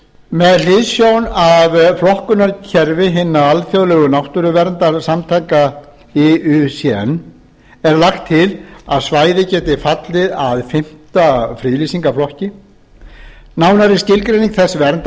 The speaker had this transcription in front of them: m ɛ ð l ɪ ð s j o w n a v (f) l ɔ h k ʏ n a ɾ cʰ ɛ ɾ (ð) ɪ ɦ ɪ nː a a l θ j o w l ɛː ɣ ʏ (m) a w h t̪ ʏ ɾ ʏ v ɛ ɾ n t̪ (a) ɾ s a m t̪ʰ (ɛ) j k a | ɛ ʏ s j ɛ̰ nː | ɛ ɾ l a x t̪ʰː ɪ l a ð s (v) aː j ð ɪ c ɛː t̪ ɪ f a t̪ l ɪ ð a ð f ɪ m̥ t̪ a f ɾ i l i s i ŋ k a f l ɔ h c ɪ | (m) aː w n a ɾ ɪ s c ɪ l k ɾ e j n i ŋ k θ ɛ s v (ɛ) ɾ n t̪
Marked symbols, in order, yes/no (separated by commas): yes, no, no, yes, no, yes, no, yes